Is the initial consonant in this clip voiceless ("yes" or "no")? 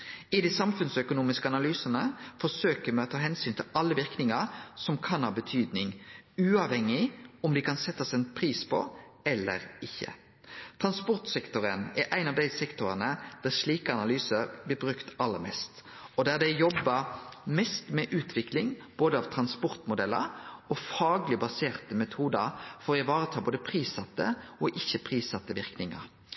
no